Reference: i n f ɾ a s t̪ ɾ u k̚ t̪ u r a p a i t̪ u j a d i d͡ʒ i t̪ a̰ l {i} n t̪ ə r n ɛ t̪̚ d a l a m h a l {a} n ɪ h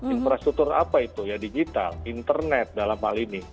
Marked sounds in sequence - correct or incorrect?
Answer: correct, incorrect

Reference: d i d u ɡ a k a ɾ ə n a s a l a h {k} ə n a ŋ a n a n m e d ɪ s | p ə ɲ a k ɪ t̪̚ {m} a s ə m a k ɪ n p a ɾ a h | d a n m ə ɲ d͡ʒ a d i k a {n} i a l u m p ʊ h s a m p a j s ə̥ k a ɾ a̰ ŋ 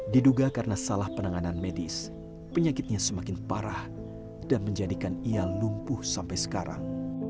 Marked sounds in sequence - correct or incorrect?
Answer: incorrect, incorrect, correct

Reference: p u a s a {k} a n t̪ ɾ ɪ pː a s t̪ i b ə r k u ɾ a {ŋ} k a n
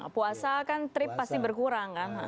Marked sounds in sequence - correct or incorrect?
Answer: correct, correct

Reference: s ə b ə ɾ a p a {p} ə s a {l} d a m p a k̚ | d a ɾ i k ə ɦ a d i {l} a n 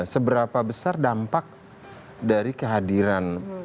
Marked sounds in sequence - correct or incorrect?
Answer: incorrect, incorrect, incorrect

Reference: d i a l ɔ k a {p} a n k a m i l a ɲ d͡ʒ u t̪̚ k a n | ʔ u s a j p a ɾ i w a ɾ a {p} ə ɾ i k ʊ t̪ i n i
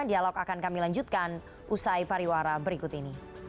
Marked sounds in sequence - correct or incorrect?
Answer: incorrect, incorrect

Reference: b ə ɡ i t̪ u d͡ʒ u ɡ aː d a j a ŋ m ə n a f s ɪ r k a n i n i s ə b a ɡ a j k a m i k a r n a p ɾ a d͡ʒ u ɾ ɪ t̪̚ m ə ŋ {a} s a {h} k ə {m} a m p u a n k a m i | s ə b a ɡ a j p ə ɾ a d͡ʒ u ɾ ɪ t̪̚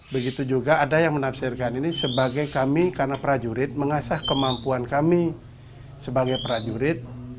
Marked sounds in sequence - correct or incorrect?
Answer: correct, correct, correct

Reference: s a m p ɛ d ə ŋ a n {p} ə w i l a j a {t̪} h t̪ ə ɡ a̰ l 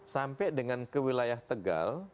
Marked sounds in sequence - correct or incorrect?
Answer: incorrect, incorrect

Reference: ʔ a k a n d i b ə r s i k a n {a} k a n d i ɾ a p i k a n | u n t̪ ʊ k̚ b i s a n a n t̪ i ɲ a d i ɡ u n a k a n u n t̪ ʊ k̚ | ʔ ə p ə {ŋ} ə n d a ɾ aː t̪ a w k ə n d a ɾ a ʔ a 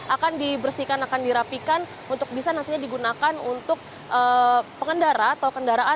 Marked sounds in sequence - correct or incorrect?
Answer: correct, correct

